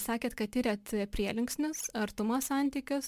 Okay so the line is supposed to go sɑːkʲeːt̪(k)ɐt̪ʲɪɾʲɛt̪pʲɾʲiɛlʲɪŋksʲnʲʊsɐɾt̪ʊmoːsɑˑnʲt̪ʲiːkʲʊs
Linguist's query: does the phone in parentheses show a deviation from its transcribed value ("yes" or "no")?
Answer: no